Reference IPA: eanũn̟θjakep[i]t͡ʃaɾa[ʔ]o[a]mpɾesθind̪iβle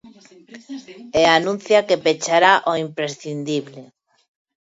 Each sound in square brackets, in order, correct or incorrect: incorrect: e, correct, incorrect: i

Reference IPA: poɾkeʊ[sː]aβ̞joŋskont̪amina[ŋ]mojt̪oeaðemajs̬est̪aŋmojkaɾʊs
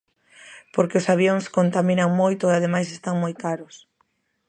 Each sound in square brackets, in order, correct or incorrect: incorrect: s, correct

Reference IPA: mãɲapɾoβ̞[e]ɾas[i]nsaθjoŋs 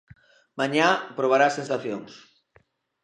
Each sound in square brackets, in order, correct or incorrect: incorrect: a, incorrect: e

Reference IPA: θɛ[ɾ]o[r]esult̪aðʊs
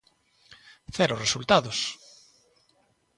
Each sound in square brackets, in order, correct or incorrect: correct, correct

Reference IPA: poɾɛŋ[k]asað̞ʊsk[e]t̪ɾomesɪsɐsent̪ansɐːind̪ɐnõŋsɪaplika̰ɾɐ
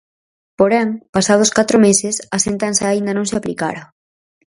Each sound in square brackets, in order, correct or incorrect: incorrect: p, incorrect: a

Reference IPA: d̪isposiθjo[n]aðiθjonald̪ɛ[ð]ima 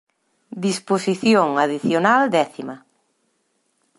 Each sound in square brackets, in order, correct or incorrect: incorrect: ŋ, incorrect: θ

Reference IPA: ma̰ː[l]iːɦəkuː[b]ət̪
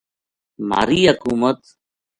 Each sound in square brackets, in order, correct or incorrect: incorrect: ɾ, incorrect: m

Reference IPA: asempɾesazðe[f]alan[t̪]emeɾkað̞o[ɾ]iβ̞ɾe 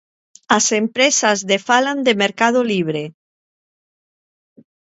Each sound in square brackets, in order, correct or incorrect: correct, incorrect: d̪, incorrect: l

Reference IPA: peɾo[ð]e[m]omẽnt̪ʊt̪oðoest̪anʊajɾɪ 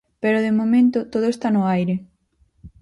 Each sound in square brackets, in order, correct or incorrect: correct, correct

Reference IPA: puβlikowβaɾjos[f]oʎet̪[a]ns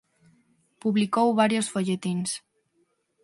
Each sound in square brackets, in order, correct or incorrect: correct, incorrect: i

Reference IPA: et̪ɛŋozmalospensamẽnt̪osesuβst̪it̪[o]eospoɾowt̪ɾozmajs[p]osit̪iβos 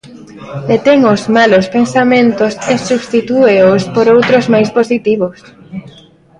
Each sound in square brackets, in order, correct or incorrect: incorrect: u, correct

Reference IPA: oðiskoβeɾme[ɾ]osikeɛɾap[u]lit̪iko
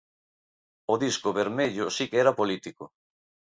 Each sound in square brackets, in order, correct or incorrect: incorrect: ʎ, incorrect: o

